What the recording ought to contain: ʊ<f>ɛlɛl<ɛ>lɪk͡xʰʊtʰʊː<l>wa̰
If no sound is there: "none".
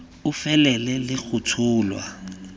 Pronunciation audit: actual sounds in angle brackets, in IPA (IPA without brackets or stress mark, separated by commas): f, ɛ, l